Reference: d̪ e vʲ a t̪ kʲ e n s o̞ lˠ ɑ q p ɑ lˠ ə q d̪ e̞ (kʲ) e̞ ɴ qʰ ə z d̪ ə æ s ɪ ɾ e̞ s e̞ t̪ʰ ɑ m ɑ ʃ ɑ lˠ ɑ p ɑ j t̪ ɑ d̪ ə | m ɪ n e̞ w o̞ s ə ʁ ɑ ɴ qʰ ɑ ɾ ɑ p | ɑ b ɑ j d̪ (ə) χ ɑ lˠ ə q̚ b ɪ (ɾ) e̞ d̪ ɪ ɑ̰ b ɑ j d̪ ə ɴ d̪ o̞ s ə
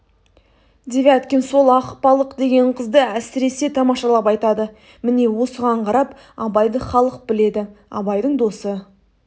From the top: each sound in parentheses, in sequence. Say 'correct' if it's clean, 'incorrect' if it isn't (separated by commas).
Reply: incorrect, correct, incorrect